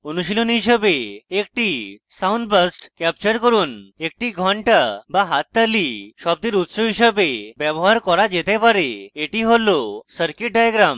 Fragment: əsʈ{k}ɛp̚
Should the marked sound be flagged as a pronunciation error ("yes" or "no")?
no